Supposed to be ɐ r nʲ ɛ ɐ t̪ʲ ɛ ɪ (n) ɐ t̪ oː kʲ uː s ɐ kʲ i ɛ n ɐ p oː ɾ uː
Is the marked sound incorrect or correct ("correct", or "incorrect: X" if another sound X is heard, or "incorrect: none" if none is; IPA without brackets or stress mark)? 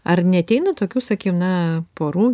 correct